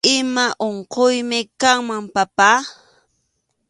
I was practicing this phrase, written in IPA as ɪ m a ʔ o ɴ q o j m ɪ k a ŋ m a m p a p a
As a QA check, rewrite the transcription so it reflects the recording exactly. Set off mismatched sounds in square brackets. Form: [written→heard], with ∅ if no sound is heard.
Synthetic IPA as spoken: ɪ m a ʔ o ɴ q o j m ɪ k a ŋ m a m p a p a